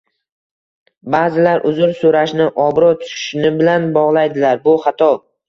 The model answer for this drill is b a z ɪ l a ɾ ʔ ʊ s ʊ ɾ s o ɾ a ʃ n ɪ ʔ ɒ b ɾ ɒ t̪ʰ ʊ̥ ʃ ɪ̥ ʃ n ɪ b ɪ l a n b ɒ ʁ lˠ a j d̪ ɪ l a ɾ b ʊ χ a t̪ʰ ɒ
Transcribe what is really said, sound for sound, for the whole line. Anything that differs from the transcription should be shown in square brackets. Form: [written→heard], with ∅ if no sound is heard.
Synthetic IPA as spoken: b a z ɪ l a ɾ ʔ ʊ [s→z] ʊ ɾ s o ɾ a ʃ n ɪ ʔ ɒ b ɾ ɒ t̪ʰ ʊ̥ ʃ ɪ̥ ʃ n ɪ b ɪ l a n b ɒ ʁ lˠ a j d̪ ɪ l a ɾ b ʊ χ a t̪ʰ ɒ